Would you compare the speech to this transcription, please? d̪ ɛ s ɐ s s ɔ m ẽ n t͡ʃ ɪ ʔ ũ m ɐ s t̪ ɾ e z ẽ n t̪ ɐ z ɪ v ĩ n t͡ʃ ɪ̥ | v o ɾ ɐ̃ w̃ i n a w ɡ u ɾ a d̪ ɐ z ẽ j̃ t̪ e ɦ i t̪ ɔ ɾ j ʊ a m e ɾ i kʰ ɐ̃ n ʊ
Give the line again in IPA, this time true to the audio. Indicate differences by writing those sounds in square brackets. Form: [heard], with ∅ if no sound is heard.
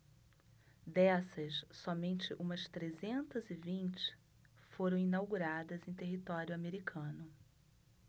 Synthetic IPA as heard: d̪ ɛ s ɐ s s ɔ m ẽ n t͡ʃ ɪ ʔ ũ m ɐ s t̪ ɾ e z ẽ n t̪ ɐ z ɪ v ĩ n t͡ʃ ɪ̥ | [f] o ɾ ɐ̃ w̃ i n a w ɡ u ɾ a d̪ ɐ z ẽ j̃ t̪ e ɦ i t̪ ɔ ɾ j ʊ a m e ɾ i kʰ ɐ̃ n ʊ